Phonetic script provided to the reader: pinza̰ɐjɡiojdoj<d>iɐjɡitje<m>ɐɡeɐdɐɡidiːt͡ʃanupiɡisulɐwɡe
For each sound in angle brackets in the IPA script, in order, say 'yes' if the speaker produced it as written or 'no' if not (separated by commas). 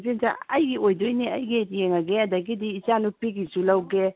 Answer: no, no